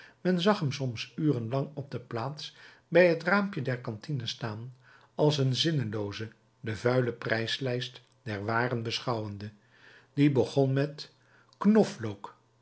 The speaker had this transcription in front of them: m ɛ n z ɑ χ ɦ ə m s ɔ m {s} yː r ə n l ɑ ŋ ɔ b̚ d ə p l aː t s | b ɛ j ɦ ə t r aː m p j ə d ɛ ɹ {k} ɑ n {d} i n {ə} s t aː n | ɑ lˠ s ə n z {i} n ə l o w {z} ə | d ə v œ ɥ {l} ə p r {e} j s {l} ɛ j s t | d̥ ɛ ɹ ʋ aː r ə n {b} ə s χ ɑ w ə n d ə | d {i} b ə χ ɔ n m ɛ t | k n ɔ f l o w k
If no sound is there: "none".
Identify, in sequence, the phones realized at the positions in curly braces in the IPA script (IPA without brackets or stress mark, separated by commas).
s, k, t, ə, ɪ, z, l, ɛ, l, b, i